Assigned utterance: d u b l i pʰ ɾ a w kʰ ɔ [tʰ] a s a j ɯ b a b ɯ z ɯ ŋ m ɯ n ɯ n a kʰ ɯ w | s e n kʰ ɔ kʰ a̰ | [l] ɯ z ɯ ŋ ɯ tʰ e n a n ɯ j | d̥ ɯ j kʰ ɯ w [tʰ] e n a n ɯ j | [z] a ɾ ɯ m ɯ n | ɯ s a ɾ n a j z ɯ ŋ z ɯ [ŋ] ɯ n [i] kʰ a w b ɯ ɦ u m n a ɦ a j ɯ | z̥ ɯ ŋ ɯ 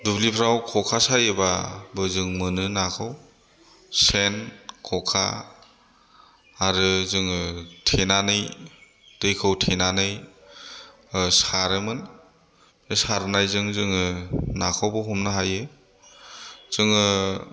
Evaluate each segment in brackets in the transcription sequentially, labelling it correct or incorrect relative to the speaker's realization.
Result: incorrect: kʰ, incorrect: ɾ, correct, incorrect: s, correct, incorrect: a

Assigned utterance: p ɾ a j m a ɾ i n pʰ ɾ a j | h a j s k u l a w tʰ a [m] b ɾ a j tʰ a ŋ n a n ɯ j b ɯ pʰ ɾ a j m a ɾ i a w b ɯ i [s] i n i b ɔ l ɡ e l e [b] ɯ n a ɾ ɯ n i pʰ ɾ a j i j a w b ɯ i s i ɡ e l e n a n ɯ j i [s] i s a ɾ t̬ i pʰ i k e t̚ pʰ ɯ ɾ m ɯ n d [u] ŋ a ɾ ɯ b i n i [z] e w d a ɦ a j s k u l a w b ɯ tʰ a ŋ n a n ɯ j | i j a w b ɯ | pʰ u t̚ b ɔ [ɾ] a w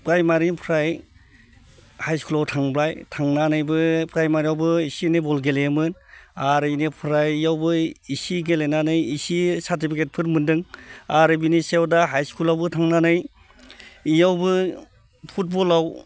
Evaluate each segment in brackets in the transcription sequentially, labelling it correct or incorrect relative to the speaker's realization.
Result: incorrect: ŋ, correct, incorrect: m, correct, incorrect: ɯ, incorrect: s, incorrect: l

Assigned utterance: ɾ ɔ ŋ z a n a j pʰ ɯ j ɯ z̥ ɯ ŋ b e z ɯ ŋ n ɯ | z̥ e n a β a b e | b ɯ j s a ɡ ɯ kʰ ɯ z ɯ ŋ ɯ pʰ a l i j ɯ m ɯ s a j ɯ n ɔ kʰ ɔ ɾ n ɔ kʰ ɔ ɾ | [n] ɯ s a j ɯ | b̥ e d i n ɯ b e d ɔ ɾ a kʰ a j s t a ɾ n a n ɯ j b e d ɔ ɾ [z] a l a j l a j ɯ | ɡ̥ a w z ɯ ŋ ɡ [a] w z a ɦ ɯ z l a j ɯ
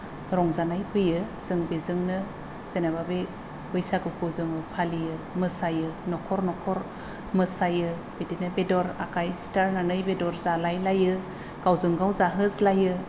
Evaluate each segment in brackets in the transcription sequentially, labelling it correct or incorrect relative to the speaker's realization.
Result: incorrect: m, correct, correct

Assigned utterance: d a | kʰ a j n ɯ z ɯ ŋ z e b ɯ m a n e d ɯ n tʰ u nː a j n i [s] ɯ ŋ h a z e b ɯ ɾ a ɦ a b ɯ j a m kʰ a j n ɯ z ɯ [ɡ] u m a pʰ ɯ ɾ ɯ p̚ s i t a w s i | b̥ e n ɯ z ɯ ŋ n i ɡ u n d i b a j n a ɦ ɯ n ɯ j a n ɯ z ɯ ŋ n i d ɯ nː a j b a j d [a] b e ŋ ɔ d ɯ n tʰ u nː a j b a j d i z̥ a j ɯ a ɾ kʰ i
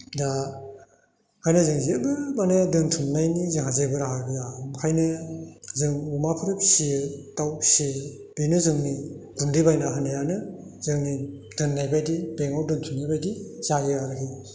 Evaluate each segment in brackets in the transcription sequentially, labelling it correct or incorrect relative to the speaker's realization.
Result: incorrect: z, incorrect: ŋ, incorrect: i

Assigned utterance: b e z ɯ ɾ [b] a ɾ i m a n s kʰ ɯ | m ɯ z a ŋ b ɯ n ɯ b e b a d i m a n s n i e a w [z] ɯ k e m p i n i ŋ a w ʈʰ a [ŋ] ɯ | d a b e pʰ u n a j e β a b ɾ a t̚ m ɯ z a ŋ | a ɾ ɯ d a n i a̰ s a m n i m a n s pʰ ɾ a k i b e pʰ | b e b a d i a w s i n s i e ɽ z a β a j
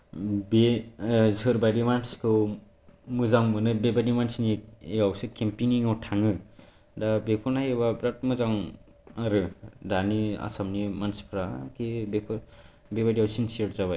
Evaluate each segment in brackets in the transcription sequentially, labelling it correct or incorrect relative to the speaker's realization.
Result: correct, incorrect: s, correct

